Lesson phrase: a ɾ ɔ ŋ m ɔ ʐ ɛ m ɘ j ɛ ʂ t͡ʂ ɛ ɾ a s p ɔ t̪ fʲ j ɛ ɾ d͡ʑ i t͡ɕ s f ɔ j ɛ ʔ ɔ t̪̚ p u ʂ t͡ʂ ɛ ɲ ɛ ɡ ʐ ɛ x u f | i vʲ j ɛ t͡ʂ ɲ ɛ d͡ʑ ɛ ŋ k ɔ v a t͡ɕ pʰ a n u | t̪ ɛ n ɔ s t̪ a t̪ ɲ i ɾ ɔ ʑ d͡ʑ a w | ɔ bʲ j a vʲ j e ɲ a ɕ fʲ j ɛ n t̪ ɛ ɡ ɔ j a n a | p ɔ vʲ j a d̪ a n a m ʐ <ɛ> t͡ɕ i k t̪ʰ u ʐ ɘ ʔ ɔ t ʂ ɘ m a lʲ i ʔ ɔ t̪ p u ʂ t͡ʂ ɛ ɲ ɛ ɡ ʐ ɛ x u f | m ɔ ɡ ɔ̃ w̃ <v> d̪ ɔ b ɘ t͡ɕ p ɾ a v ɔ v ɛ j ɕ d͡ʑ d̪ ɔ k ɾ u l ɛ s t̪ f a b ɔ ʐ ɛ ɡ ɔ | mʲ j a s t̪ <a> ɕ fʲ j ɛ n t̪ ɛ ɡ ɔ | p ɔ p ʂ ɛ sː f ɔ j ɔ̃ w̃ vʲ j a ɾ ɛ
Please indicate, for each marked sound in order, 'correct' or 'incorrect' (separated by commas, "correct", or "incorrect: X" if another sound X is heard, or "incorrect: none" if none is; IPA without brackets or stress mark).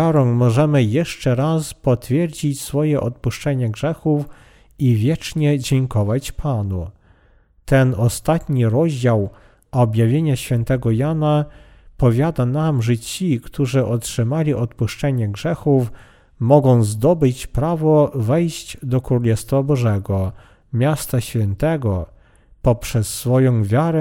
correct, incorrect: z, correct